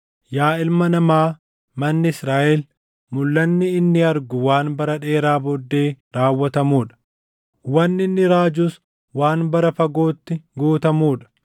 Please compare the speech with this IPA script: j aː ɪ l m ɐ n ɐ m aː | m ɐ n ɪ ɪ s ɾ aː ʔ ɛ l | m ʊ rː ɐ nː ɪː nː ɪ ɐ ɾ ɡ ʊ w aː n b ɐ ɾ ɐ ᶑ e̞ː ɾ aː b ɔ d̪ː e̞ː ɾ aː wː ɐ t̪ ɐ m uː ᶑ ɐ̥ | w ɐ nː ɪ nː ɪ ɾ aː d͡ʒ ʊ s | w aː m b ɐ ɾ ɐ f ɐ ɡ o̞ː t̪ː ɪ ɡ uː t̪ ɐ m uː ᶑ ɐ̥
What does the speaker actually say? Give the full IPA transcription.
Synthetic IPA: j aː ɪ l m ɐ n ɐ m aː | m ɐ nː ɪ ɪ s ɾ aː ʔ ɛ l | m ʊ lː ɐ nː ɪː nː ɪ ɐ ɾ ɡ ʊ w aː n b ɐ ɾ ɐ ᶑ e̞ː ɾ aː b ɔ d̪ː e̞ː ɾ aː wː ɐ t̪ ɐ m uː ᶑ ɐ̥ | w ɐ nː ɪ nː ɪ ɾ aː d͡ʒ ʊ s | w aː n b ɐ ɾ ɐ f ɐ ɡ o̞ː t̪ː ɪ ɡ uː t̪ ɐ m uː ᶑ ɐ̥